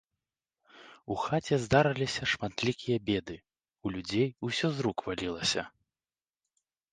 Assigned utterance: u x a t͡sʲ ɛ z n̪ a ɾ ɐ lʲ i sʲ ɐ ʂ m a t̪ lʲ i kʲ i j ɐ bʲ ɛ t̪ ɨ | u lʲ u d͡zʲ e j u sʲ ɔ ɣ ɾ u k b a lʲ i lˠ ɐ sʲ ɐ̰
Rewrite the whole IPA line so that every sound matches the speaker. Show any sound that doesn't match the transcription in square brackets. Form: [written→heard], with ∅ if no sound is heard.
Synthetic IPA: u x a t͡sʲ ɛ z [n̪→d̪] a ɾ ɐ lʲ i sʲ ɐ ʂ m a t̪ lʲ i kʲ i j ɐ bʲ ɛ [t̪→d̪] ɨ | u lʲ u d͡zʲ e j u sʲ ɔ [ɣ→z] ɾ u k [b→v] a lʲ i lˠ ɐ sʲ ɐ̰